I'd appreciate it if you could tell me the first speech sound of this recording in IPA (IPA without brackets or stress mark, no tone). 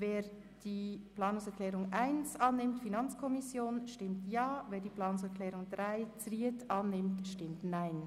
v